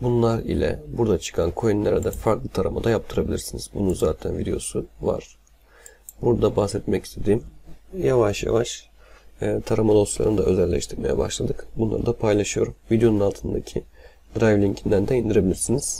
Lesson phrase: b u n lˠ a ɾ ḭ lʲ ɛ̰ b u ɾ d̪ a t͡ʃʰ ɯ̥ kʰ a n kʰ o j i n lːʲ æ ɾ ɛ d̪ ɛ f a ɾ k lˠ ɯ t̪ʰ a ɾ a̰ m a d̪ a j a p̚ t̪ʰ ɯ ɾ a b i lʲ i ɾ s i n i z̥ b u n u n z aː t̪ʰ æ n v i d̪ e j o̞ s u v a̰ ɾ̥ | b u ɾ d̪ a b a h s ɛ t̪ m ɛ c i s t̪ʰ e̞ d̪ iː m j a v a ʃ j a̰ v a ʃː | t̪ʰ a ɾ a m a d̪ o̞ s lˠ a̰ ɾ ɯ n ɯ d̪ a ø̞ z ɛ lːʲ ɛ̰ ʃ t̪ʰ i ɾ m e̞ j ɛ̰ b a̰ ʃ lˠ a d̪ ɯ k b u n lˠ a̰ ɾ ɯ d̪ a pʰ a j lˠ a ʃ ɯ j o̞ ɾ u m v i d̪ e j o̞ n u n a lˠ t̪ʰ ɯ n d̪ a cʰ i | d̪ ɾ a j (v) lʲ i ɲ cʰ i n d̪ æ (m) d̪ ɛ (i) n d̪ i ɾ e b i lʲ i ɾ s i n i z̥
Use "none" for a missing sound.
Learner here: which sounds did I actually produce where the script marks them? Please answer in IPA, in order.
v, n, i

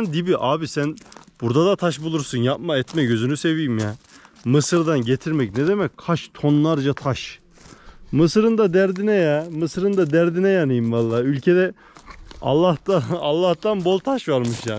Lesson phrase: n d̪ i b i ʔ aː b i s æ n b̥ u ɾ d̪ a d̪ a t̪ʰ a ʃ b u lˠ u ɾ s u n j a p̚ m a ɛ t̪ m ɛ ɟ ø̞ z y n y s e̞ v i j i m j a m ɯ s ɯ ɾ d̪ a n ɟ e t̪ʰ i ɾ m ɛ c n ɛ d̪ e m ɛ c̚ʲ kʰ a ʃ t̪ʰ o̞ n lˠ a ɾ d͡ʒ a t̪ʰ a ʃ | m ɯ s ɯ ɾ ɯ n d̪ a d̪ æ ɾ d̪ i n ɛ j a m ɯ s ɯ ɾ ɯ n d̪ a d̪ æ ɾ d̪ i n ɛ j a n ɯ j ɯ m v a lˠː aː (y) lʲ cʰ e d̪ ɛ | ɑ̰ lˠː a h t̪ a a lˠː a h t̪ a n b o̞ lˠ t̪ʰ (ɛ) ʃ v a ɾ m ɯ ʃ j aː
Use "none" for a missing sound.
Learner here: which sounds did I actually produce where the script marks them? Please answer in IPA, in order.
y, a

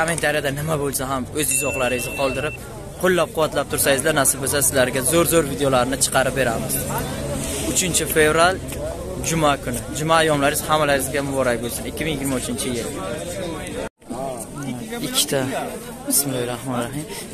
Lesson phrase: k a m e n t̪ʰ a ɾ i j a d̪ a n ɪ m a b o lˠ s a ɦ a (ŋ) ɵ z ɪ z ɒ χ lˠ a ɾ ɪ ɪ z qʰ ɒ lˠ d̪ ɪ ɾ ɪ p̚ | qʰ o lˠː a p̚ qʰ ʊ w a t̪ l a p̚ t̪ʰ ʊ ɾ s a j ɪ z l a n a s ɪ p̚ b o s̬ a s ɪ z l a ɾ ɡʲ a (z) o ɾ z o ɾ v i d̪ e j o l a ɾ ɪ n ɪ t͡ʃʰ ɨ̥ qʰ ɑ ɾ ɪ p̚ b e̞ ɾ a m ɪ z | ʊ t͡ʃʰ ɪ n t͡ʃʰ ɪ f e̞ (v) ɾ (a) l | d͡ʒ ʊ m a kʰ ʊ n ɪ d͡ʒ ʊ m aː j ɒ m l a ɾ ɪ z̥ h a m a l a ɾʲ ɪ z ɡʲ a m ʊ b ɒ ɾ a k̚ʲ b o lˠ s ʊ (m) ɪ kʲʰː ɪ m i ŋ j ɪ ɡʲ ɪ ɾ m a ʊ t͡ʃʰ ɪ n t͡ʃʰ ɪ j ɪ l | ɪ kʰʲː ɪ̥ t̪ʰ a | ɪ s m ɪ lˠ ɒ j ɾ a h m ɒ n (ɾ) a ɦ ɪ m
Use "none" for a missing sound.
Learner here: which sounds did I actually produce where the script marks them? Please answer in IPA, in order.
m, z, v, a, n, ɾ

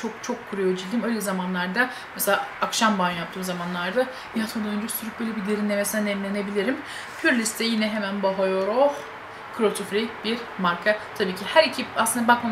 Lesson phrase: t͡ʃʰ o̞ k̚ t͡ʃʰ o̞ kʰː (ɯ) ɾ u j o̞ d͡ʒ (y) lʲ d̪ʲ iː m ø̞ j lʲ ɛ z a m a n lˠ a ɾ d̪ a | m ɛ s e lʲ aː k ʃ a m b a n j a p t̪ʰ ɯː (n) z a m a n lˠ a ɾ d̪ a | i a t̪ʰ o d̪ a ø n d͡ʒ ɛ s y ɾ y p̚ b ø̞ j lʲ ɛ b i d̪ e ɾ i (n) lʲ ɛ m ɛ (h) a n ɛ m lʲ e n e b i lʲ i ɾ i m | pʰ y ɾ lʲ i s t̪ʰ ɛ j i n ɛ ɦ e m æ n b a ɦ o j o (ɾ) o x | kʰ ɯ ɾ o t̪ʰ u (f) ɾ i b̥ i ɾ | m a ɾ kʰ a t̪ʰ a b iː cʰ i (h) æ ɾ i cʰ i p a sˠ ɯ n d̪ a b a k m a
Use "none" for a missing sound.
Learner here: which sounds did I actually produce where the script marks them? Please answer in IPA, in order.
u, i, m, n, s, ɾ, f, h

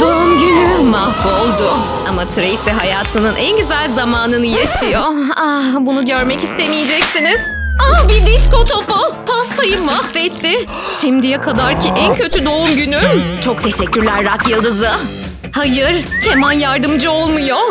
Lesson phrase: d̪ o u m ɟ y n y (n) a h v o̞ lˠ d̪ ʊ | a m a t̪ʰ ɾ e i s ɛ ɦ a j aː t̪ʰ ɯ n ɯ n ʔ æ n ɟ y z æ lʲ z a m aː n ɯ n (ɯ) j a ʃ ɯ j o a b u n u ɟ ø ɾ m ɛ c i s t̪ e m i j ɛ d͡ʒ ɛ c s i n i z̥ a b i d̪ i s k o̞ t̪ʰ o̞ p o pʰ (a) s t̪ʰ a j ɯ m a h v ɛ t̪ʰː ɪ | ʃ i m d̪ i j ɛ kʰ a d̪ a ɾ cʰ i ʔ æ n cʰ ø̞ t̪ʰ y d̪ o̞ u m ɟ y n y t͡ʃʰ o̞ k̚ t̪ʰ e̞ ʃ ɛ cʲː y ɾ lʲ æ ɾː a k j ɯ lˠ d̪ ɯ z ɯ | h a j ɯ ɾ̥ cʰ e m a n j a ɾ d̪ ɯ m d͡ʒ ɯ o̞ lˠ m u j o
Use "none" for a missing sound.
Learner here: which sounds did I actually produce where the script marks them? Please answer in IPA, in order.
m, ɯ, a

